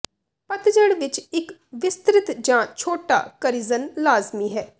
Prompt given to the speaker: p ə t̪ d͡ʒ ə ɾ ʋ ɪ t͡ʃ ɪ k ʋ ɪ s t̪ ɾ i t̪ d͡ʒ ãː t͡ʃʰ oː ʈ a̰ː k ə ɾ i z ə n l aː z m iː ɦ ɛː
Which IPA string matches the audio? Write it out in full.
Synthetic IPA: p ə t̪ d͡ʒ ə ɽ ʋ ɪ t͡ʃ ɪ k ʋ ɪ s t̪ ɾ ɪ t̪ d͡ʒ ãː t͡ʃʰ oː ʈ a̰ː k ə ɾ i z ə n l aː z m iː ɦ ɛː